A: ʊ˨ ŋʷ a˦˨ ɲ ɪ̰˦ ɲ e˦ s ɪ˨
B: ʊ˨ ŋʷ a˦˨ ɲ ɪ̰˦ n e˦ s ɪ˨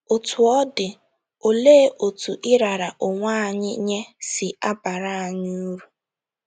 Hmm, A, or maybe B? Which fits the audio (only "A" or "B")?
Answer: A